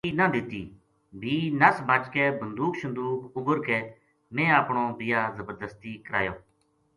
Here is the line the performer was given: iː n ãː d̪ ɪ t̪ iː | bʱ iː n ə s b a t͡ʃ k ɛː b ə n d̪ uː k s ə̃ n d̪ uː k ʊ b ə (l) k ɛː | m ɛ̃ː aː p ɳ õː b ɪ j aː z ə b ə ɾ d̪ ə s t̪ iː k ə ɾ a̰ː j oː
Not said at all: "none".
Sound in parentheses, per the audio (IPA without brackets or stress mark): ɾ